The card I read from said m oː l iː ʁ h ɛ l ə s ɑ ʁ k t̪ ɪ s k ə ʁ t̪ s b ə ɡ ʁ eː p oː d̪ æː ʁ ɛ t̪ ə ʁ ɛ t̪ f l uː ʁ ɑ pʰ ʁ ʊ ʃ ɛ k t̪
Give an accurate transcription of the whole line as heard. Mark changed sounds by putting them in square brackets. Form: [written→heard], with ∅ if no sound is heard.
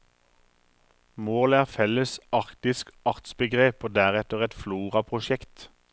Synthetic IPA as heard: m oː l [iː→æː] ʁ [h→f] ɛ l ə s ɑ ʁ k t̪ ɪ s k [ə→ɑ] ʁ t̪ s b ə ɡ ʁ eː p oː d̪ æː ʁ ɛ t̪ ə ʁ ɛ t̪ f l uː ʁ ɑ pʰ ʁ ʊ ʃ ɛ k t̪